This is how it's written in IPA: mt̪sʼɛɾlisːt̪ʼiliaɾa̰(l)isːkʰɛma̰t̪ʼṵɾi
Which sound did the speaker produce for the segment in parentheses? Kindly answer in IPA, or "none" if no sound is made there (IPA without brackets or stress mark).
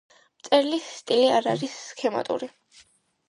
ɾ